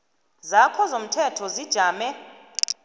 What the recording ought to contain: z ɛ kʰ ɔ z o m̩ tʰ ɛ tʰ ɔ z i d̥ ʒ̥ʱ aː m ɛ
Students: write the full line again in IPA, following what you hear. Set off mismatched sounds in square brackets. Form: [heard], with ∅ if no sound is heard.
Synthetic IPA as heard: z [a] kʰ ɔ z o m̩ tʰ ɛ tʰ ɔ z i d̥ ʒ̥ʱ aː m ɛ